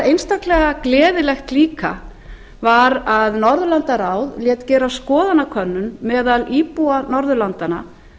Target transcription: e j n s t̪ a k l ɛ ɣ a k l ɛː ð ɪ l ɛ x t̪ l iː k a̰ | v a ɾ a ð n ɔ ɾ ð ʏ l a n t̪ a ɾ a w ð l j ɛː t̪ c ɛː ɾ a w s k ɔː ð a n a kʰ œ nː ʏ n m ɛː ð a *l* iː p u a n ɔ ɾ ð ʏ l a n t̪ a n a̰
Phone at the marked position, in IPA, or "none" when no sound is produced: l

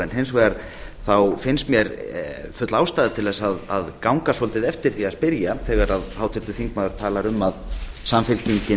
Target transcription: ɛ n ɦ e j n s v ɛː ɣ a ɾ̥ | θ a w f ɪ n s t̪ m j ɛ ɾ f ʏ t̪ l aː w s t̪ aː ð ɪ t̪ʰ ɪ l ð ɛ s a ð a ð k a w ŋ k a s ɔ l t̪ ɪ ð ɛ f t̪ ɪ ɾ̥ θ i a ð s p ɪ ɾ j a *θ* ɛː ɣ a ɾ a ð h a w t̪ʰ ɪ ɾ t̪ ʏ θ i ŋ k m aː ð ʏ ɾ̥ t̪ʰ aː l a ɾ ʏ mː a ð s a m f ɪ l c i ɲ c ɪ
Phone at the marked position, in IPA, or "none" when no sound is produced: θ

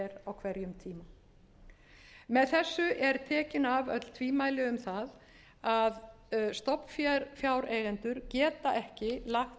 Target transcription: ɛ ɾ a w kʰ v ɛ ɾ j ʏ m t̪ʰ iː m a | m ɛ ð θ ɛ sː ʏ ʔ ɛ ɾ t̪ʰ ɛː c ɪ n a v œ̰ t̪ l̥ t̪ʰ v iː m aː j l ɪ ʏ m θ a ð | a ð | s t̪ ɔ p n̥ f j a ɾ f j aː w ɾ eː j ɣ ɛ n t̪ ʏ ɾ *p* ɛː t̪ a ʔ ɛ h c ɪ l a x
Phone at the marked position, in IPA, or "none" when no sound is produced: c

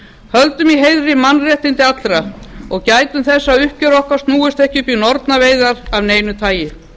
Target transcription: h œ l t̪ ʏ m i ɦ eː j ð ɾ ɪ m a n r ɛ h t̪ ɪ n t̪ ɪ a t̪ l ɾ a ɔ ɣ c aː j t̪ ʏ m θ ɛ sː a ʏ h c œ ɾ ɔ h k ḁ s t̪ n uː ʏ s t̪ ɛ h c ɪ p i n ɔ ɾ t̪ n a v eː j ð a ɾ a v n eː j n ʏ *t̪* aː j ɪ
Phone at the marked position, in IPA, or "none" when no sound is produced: t̪ʰ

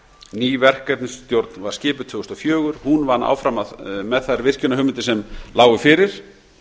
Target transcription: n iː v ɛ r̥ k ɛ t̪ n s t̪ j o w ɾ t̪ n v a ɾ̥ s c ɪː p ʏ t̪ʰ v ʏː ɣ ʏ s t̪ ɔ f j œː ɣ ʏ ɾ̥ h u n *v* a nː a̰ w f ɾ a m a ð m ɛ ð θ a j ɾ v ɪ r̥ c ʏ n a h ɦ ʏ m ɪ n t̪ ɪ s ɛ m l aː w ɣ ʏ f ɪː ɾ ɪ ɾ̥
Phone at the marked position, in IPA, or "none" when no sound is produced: v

